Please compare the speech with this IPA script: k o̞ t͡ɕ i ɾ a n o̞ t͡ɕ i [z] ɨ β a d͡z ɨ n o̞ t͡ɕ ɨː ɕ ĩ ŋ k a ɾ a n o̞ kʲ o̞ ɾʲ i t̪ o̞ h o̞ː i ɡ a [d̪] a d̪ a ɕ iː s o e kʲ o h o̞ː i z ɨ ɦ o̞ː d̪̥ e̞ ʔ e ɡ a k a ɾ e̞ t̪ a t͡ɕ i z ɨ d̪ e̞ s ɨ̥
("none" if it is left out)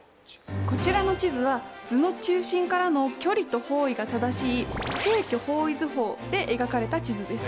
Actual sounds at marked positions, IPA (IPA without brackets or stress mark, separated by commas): z, t̪